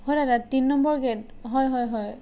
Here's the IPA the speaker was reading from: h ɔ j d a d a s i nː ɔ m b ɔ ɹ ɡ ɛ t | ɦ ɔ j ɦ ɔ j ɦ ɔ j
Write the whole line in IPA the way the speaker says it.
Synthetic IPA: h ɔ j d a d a t i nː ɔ m b ɔ ɹ ɡ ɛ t | ɦ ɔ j ɦ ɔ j ɦ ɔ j